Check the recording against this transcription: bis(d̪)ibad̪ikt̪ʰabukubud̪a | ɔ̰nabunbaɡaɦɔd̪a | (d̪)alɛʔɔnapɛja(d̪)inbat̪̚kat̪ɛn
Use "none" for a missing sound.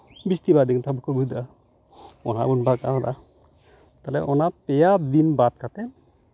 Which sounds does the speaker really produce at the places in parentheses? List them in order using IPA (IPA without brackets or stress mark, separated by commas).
t̪, t̪, d̪